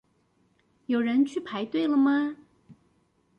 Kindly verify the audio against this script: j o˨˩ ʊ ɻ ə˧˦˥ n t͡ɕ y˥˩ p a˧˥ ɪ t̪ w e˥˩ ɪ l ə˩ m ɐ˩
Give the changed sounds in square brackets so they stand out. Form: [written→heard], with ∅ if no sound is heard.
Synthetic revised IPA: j o˨˩ ʊ ɻ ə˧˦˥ n [t͡ɕ→t͡ɕʰ] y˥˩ [p→pʰ] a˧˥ ɪ t̪ w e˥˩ ɪ l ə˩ m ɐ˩